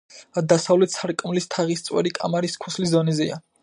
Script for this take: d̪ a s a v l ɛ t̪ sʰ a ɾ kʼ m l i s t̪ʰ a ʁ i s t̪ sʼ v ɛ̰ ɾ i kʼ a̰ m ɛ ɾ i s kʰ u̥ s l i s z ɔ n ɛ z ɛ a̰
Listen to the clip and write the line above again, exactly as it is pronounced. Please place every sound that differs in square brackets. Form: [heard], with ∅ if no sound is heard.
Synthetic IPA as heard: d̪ a s a v l ɛ t̪ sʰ a ɾ kʼ m l i s t̪ʰ a ʁ i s t̪ sʼ [w] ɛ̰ ɾ i kʼ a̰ m [a] ɾ i s kʰ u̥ s l i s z ɔ n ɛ z ɛ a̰